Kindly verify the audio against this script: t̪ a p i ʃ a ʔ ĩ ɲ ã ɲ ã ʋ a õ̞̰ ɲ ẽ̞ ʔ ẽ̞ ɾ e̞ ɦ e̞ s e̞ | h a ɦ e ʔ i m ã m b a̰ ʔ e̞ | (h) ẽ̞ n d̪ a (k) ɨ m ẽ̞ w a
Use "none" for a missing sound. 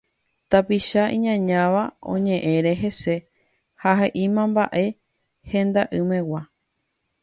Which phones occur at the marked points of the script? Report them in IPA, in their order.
h, ʔ

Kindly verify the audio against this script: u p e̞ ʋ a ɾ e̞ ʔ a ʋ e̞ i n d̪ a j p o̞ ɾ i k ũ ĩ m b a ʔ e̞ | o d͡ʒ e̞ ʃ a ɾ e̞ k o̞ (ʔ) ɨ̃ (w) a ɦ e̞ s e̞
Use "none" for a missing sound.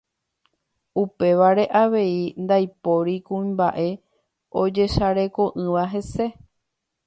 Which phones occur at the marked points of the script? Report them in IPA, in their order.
ʔ, ʋ

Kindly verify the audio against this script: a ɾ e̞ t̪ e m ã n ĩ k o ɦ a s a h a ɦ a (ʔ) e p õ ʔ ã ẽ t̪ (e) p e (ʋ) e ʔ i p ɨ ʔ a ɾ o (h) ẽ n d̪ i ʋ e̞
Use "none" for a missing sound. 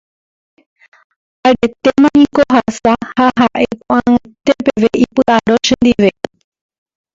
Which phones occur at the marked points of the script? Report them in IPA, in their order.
ʔ, e, ʋ, ʃ

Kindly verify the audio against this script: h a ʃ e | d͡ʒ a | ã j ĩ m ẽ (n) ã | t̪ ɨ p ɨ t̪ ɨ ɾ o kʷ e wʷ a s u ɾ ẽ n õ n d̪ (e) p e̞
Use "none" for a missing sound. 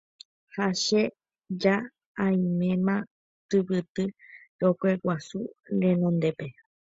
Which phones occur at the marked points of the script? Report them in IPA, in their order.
m, e

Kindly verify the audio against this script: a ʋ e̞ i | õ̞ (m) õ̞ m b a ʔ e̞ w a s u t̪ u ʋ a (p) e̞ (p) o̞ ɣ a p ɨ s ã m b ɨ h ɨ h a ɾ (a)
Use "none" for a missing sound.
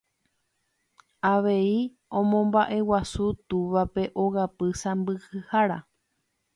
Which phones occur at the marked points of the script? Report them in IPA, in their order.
m, p, ʔ, a

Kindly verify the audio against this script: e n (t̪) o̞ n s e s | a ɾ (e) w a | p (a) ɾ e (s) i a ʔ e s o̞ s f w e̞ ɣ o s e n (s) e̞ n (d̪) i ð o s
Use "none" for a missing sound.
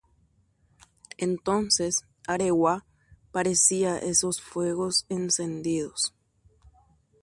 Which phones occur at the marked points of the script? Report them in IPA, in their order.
t̪, e, a, s, s, d̪

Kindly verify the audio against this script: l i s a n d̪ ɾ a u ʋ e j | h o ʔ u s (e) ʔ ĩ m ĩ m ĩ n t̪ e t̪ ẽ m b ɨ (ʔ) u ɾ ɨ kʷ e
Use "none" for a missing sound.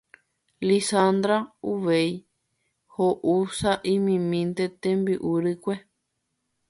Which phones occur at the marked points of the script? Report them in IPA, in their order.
a, ʔ

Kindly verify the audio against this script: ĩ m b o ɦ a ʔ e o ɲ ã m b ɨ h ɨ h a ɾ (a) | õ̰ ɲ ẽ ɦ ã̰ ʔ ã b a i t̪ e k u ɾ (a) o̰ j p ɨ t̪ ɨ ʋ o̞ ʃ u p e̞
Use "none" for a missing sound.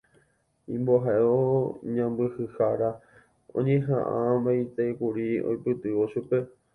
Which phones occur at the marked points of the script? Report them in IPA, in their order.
a, i

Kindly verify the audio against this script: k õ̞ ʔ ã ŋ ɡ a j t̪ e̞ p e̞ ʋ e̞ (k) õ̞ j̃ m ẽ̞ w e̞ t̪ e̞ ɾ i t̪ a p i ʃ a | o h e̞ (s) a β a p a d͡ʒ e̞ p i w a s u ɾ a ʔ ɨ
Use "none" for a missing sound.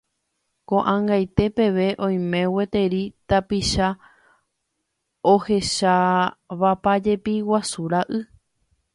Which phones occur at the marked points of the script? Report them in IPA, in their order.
ʔ, ʃ

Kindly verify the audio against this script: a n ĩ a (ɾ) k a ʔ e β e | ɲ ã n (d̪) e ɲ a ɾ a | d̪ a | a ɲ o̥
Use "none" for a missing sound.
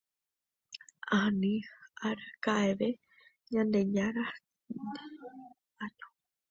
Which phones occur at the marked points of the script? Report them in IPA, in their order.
ɾ, d̪

